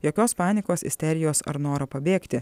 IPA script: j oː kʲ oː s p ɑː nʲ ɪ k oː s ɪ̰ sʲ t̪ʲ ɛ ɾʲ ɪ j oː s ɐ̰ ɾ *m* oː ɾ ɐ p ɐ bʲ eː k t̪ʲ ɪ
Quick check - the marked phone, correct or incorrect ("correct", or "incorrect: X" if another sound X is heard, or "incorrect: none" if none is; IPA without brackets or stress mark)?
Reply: incorrect: n